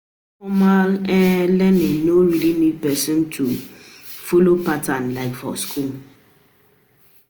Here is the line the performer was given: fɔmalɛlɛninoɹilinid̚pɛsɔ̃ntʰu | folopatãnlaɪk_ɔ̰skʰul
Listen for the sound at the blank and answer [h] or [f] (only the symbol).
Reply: f